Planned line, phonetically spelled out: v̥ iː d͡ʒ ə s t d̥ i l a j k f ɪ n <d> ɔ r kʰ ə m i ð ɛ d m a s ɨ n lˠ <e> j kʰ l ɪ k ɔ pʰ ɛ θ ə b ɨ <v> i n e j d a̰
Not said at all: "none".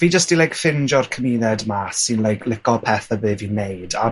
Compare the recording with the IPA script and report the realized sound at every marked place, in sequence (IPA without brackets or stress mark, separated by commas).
d͡ʒ, a, v